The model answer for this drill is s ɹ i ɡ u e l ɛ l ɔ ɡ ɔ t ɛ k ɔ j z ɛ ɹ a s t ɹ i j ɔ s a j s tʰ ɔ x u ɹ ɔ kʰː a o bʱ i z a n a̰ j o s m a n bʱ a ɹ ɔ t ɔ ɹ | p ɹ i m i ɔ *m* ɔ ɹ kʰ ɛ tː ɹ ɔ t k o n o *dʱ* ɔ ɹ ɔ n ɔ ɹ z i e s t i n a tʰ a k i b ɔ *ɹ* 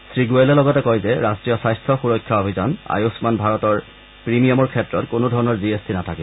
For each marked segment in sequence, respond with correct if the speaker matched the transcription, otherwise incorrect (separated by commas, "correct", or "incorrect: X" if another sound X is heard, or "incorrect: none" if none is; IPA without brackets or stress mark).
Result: correct, correct, incorrect: none